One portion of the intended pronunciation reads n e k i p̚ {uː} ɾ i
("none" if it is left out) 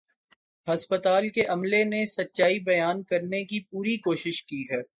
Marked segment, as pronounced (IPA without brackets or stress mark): uː